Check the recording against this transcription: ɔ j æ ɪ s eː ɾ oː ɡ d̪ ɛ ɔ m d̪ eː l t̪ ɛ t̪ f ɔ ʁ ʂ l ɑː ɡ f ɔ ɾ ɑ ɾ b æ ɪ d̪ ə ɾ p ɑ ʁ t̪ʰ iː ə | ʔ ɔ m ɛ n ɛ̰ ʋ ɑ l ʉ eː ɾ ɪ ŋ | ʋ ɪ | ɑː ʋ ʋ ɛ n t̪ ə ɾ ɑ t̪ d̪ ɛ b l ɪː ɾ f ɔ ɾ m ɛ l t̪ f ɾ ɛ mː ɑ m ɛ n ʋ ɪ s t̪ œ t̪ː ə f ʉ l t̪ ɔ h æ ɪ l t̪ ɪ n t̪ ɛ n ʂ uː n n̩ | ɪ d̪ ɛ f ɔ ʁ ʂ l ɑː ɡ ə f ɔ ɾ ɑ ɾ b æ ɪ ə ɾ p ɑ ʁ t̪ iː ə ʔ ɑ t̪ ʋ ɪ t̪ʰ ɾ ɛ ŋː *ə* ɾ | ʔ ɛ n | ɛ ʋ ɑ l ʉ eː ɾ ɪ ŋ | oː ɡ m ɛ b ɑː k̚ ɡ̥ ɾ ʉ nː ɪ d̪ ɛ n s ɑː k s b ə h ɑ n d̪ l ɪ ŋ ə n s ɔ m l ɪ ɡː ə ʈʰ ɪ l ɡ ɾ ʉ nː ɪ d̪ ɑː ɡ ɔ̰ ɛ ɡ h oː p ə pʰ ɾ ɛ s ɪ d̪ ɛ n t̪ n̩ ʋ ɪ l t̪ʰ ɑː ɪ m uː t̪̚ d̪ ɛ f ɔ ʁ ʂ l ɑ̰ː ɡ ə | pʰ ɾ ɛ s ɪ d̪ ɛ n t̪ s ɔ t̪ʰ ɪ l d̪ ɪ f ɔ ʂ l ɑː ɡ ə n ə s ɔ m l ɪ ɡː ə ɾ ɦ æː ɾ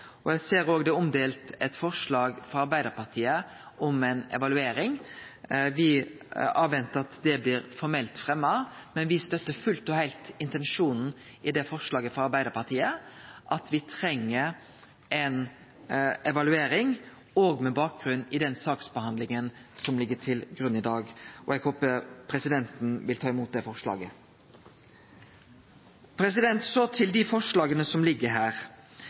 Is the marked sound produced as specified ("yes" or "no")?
yes